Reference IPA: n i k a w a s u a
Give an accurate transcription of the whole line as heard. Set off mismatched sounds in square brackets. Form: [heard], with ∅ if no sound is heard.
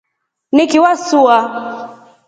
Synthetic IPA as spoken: n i k [i] w a s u a